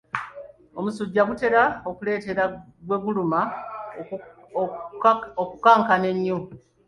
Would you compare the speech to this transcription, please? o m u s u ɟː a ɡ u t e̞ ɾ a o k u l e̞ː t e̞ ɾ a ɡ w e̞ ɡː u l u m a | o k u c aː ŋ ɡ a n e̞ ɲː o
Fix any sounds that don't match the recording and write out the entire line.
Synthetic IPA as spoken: o m u s u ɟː a ɡ u t e̞ ɾ a o k u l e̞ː t e̞ ɾ a ɡ w e̞ ɡ u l u m a | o k u k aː ŋ k a n e̞ ɲː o